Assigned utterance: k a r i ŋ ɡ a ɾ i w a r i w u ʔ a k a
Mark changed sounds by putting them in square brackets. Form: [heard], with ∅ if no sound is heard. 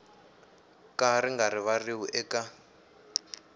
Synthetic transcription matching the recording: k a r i ŋ ɡ a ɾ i [β] a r i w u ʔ [ɛ] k a